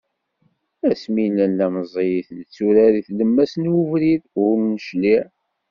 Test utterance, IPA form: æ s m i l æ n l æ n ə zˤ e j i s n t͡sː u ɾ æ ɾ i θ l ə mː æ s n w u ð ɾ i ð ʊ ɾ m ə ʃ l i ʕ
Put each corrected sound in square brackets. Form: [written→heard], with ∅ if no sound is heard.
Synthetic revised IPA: æ s m i l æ n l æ [n→m] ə zˤ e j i [s→θ] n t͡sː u ɾ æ ɾ i θ l ə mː æ s n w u [ð→v] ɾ i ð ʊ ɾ [m→n] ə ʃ l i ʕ

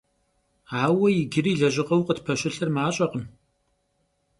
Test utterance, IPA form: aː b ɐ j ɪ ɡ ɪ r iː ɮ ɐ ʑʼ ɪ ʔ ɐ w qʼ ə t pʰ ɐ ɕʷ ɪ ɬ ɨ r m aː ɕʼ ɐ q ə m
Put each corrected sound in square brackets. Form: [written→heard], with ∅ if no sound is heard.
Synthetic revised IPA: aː [b→w] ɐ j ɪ ɡ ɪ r iː ɮ ɐ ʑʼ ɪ [ʔ→q] ɐ w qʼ ə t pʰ ɐ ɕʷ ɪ ɬ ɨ r m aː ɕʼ ɐ q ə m

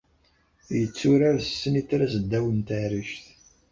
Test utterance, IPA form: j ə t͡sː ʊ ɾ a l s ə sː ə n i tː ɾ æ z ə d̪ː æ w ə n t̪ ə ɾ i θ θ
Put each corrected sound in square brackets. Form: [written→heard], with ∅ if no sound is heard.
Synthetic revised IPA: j ə t͡sː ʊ ɾ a [l→ɾ] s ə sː ə n i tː ɾ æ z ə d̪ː æ w ə n t̪ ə ɾ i [θ→ʃ] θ

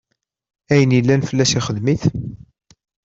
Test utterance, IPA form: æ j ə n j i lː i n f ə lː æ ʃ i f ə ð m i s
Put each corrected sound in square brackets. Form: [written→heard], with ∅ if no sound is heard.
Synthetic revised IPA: æ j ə n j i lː [i→æ] n f ə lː æ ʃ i [f→χ] ə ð m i [s→θ]

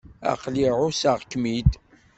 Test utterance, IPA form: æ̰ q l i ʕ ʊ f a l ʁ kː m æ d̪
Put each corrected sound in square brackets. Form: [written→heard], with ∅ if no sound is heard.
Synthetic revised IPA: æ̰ q l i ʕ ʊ [f→s] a [l→∅] ʁ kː m [æ→i] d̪

